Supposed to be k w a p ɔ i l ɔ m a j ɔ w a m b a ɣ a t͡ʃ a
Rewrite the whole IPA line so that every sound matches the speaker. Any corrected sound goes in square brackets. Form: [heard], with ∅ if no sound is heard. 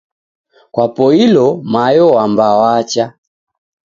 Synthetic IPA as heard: k w a p ɔ i l ɔ m a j ɔ w a m b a [w] a t͡ʃ a